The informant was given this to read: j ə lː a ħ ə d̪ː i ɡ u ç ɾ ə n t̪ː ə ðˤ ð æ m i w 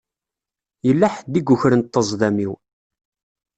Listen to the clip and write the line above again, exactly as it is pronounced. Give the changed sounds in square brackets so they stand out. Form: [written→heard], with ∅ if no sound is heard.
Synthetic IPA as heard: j ə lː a ħ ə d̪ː i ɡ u ç ɾ ə n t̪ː ə [ðˤ→zˤ] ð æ m i w